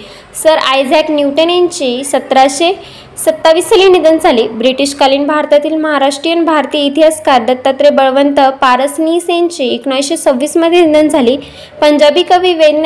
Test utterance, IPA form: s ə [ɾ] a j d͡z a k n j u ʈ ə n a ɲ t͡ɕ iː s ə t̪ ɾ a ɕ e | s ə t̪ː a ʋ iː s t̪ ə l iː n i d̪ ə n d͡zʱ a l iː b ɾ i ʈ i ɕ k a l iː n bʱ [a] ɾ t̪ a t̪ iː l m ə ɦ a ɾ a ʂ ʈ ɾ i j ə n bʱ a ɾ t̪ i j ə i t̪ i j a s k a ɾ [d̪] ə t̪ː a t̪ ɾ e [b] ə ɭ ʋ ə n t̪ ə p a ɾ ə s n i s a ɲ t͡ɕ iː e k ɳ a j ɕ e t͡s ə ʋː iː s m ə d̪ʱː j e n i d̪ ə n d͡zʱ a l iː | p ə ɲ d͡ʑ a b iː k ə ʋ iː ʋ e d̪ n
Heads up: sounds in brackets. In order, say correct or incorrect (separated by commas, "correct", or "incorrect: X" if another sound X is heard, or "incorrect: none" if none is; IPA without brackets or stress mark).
correct, correct, correct, correct